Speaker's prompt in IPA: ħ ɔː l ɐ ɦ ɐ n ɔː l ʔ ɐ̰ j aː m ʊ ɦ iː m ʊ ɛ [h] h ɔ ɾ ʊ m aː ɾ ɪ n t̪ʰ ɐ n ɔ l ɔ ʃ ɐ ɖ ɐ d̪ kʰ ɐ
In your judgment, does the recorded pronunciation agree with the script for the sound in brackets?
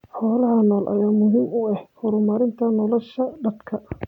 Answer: yes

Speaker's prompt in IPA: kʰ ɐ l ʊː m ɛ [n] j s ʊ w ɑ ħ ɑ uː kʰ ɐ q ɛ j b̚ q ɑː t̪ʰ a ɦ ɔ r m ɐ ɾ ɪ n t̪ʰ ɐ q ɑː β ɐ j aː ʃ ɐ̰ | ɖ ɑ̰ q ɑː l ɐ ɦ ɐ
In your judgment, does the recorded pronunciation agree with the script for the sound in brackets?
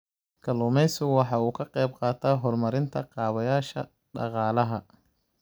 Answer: no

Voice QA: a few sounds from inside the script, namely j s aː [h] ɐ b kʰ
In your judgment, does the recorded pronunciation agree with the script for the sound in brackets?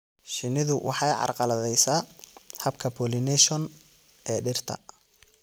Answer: yes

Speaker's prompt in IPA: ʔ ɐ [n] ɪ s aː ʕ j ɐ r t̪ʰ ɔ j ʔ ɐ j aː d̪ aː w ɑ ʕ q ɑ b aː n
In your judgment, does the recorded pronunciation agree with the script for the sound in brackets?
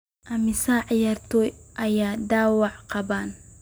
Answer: no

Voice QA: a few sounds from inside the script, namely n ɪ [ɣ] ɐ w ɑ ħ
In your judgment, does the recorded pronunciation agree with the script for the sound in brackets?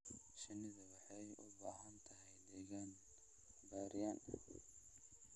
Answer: no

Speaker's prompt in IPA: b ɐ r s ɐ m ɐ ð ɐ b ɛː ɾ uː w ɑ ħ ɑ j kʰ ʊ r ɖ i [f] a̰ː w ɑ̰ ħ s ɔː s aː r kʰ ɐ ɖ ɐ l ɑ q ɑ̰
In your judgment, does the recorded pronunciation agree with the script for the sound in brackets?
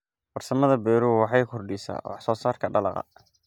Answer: no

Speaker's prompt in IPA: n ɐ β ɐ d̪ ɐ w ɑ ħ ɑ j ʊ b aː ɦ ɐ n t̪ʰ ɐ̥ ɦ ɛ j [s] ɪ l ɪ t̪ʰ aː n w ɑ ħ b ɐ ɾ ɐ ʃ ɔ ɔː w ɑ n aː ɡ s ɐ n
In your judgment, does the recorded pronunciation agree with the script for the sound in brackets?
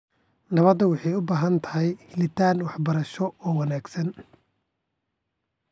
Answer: no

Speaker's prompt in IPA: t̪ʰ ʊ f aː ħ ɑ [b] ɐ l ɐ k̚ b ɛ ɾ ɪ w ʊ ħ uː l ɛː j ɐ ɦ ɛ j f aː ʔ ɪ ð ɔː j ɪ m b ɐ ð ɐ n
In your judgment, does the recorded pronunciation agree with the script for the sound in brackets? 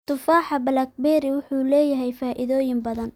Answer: yes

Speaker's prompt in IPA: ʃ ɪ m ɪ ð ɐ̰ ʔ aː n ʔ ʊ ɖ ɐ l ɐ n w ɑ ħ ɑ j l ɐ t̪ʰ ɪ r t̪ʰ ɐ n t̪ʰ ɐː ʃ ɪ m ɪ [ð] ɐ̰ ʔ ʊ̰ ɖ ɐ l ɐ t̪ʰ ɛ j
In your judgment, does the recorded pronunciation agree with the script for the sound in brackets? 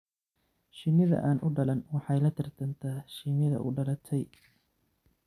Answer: yes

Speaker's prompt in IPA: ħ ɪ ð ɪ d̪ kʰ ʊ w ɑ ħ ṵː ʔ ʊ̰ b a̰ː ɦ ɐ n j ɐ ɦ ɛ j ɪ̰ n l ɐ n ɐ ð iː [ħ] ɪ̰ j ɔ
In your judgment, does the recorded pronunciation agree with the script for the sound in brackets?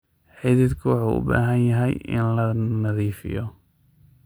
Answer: no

